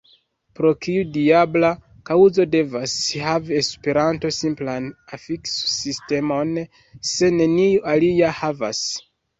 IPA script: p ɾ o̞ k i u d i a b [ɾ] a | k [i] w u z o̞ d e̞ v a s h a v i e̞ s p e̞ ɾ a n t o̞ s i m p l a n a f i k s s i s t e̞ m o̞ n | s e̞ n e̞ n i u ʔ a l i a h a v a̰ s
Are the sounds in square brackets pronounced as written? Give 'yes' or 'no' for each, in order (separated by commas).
no, no